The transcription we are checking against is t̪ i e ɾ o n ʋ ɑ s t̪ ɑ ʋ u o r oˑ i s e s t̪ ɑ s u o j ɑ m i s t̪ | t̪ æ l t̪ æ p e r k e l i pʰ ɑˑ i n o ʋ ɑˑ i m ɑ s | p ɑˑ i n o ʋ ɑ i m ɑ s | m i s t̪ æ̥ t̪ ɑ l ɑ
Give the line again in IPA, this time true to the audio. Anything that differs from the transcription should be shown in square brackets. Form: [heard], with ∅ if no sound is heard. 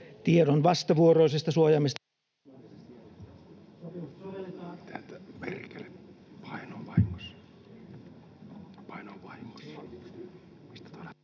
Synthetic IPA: t̪ i e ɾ o n ʋ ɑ s t̪ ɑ ʋ u o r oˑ i s e s t̪ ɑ s u o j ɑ m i s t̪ | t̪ æ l t̪ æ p e r k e l [e] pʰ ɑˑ i n o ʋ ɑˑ i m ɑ s | p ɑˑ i n o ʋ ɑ i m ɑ s | m i s t̪ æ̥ t̪ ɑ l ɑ